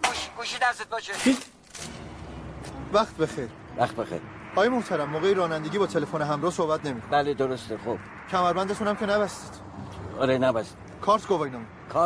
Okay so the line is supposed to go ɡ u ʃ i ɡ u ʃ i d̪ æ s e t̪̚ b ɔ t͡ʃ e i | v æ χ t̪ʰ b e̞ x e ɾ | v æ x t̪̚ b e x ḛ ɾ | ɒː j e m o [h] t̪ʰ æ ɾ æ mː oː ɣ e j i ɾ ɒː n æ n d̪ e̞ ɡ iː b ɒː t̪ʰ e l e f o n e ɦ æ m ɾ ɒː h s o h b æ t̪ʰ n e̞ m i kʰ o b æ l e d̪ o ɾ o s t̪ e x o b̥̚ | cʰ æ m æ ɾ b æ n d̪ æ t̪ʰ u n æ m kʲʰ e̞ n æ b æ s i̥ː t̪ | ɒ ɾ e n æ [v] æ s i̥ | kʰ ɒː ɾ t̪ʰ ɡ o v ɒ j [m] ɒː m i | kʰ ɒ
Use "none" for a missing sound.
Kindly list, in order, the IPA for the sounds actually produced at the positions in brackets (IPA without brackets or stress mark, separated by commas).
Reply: h, b, n